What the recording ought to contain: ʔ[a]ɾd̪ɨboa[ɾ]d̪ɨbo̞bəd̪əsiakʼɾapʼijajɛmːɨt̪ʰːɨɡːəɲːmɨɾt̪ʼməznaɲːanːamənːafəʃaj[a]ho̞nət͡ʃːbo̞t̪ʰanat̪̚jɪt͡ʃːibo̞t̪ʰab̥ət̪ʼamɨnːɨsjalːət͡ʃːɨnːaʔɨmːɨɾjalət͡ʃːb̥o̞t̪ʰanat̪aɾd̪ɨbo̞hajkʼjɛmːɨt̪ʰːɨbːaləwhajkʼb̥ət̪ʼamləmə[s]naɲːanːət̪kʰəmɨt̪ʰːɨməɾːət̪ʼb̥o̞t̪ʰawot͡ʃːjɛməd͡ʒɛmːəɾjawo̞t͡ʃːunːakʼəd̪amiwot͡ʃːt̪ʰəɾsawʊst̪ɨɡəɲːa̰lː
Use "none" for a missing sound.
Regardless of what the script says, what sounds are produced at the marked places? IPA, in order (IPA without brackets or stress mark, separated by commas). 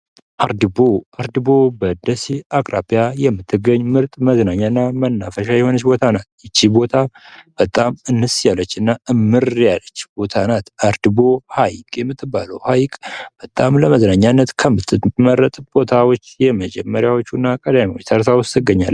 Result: a, ɾ, ɛ, z